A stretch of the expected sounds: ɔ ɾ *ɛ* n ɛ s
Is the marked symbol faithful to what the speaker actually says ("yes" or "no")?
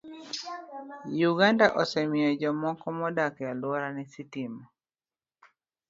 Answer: no